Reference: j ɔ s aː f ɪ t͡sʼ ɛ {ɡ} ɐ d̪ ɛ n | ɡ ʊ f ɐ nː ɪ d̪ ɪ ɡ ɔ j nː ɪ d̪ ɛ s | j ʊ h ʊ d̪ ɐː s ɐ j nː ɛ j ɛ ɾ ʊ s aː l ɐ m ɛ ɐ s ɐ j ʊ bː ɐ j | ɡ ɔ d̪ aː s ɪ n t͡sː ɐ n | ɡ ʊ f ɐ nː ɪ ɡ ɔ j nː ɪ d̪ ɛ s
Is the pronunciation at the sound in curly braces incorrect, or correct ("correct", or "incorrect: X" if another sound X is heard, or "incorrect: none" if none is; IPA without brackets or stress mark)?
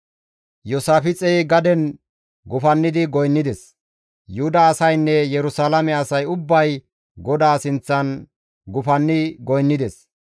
correct